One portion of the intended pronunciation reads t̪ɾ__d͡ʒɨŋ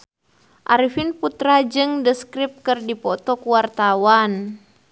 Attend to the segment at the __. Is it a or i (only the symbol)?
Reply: a